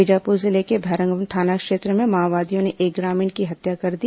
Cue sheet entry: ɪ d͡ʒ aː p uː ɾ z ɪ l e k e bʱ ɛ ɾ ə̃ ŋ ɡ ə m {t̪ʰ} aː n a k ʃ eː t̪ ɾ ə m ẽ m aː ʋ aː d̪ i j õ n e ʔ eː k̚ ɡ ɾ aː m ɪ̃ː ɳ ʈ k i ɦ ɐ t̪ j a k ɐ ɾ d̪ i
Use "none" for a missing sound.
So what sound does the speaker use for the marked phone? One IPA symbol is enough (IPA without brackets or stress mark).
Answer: t̪ʰ